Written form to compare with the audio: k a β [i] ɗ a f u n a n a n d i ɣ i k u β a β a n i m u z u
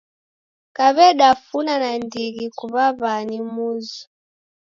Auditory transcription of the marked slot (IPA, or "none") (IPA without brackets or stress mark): ɛ